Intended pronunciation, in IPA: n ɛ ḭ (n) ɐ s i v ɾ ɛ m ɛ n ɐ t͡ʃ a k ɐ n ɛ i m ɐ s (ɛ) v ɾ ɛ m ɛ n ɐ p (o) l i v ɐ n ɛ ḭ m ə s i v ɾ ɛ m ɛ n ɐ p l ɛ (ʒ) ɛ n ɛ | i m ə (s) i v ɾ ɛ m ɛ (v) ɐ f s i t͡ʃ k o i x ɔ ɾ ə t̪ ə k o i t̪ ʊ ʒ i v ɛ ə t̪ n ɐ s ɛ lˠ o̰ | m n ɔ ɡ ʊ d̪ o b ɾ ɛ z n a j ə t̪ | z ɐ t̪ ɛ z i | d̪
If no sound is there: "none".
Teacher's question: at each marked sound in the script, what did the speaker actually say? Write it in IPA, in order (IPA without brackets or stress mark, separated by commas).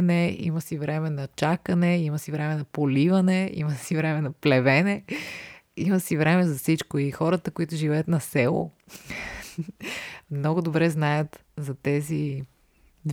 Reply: m, i, o, v, s, z